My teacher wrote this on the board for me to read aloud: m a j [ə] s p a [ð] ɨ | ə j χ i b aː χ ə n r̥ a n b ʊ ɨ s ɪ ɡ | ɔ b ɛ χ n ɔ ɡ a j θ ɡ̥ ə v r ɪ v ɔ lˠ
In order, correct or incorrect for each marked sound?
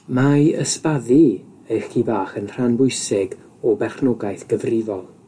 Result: correct, correct

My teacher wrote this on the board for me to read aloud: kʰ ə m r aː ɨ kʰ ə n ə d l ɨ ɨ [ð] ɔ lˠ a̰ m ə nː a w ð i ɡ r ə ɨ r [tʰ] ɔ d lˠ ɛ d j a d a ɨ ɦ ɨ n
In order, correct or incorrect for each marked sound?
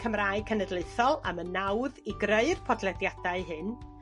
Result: incorrect, incorrect

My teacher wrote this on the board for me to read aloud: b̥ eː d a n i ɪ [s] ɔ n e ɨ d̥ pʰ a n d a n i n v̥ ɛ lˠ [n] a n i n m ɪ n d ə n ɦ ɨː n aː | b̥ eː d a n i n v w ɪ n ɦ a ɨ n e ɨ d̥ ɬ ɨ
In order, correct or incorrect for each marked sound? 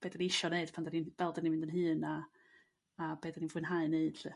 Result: incorrect, incorrect

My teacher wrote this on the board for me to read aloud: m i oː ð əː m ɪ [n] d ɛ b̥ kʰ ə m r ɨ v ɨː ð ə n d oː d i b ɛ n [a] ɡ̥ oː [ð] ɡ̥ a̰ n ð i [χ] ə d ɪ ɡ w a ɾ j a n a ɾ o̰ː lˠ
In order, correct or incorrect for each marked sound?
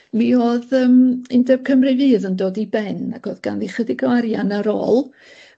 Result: correct, correct, correct, correct

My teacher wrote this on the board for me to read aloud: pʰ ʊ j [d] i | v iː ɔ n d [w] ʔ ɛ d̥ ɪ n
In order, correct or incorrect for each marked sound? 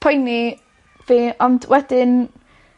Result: incorrect, correct

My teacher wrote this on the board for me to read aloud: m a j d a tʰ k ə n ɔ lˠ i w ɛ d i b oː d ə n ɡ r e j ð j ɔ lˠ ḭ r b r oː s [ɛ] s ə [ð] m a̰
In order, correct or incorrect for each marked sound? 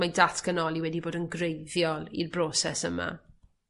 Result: correct, incorrect

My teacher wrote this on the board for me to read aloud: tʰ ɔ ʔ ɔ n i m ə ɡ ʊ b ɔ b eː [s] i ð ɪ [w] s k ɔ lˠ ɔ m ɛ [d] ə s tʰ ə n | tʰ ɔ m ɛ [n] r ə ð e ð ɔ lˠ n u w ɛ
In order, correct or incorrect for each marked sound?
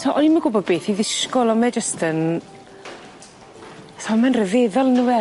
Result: incorrect, incorrect, incorrect, correct

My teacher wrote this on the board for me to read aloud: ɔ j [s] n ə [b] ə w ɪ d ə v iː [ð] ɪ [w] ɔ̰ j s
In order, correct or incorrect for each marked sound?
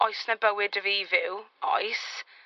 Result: correct, correct, incorrect, correct

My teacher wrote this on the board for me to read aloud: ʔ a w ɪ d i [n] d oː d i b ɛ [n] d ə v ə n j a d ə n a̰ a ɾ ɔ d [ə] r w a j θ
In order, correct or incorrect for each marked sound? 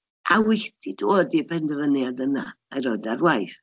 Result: incorrect, correct, incorrect

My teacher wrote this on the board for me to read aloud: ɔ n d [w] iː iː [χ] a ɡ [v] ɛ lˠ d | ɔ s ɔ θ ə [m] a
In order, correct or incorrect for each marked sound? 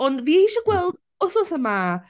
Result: incorrect, incorrect, incorrect, correct

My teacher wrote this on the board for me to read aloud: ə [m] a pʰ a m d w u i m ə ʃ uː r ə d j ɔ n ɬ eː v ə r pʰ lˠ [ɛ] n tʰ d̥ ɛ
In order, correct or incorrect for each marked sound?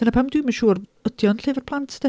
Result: incorrect, incorrect

